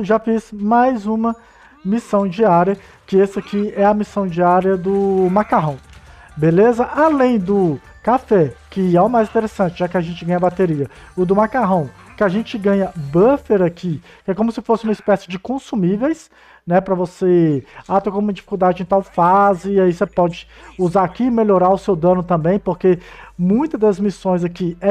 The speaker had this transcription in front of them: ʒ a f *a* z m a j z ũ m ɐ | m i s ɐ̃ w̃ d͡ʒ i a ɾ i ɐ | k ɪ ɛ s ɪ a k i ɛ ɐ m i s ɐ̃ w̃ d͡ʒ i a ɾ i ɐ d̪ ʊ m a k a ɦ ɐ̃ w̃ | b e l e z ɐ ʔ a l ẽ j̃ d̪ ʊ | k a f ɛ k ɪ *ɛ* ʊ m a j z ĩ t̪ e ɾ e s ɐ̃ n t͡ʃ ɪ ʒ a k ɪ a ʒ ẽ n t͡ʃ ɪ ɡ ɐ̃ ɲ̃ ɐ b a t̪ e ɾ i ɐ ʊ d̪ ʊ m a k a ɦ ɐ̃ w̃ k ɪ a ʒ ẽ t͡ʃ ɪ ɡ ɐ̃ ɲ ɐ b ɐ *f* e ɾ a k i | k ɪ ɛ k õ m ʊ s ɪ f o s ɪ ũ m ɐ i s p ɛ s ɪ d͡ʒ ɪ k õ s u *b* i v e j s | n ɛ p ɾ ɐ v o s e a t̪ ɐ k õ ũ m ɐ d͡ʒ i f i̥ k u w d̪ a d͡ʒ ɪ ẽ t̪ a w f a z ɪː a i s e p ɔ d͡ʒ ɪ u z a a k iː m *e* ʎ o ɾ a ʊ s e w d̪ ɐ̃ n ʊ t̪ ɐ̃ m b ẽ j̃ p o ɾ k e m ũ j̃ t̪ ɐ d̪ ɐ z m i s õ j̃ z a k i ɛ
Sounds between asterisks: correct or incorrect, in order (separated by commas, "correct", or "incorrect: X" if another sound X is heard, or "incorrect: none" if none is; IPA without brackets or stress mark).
incorrect: i, correct, correct, incorrect: m, correct